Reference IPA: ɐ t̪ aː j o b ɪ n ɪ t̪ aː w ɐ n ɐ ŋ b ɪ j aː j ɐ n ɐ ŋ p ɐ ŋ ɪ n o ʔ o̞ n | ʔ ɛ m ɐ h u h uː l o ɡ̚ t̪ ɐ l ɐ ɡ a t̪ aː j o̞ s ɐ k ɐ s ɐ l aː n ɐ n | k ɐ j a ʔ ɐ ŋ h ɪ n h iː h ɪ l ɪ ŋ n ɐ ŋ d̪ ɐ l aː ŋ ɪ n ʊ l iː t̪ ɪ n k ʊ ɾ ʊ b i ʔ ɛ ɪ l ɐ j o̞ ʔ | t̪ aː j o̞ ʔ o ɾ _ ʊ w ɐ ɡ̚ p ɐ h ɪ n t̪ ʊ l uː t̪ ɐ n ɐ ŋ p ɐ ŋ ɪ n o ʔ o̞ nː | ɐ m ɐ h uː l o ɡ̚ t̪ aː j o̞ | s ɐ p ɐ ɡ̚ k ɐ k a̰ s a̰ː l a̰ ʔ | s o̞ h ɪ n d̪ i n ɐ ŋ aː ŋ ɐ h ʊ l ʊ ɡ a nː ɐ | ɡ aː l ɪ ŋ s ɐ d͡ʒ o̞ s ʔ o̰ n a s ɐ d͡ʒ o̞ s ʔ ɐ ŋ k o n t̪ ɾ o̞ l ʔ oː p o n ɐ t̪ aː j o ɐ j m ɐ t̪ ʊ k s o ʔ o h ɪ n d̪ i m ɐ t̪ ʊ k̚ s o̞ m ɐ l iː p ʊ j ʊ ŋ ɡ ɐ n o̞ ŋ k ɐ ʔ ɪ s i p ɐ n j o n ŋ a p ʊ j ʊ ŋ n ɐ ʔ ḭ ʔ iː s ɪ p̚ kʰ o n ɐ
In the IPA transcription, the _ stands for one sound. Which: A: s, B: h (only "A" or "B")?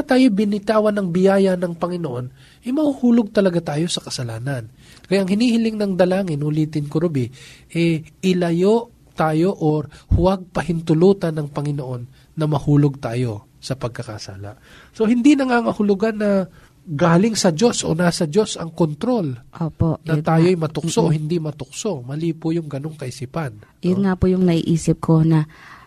B